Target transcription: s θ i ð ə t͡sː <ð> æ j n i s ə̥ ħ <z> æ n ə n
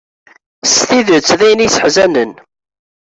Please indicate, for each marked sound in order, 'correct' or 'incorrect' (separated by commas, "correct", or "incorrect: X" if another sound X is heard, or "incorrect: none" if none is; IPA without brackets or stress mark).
correct, correct